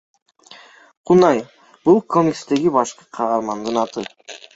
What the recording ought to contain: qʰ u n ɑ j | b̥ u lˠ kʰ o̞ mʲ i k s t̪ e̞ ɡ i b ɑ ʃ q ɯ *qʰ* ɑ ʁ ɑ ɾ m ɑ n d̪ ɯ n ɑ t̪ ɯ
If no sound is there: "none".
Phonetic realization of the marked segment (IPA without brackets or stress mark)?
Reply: qʰ